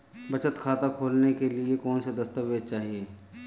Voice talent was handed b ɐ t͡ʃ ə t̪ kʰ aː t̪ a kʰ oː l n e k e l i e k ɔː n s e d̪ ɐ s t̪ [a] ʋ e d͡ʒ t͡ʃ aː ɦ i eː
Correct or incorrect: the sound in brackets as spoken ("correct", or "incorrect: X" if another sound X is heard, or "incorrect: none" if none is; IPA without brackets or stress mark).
incorrect: ə